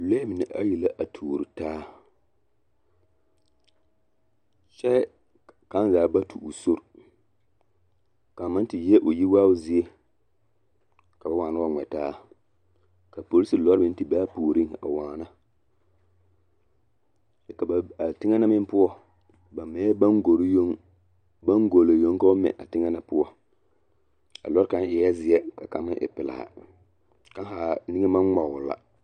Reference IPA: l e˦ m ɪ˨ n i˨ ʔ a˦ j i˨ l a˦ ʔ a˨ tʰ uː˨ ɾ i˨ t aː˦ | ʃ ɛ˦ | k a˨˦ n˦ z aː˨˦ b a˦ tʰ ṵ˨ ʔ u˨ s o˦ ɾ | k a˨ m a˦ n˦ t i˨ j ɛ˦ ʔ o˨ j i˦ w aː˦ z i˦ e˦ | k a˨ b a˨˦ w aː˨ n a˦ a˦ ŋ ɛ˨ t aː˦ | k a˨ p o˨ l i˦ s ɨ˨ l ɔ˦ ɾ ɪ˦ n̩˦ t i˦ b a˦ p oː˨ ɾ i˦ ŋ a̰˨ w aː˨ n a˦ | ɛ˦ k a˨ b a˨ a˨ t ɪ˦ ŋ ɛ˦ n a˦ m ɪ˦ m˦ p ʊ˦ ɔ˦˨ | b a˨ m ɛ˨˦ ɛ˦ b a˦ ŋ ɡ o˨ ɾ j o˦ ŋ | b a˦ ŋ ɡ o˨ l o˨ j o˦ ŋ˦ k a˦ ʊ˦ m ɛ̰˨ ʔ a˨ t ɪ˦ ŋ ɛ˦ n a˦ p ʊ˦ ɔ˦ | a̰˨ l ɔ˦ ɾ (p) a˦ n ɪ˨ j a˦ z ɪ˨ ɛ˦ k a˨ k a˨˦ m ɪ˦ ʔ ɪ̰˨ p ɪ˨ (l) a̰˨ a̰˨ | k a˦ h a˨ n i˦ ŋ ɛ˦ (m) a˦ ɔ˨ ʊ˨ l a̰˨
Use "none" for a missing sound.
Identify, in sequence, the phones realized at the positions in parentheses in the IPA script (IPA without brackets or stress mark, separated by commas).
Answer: k, l, m